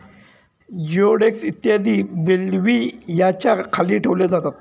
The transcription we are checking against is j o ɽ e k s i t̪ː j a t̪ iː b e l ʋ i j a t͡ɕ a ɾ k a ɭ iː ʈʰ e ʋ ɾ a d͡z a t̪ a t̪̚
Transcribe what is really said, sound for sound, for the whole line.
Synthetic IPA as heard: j o ɽ e k s i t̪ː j a d̪ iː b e l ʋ i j a t͡ɕ a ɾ kʰ a l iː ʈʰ e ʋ l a d͡z a t̪ a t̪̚